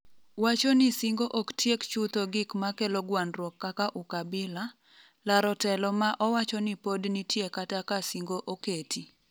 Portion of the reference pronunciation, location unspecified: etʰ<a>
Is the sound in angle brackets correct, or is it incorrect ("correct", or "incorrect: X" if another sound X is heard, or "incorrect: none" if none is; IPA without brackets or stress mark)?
incorrect: i